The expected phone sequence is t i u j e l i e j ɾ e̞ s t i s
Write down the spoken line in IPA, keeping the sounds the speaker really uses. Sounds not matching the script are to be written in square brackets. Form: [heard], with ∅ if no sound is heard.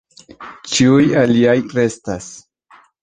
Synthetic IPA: [t͡ʃ] i u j [a] l i [a] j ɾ e̞ s t [a] s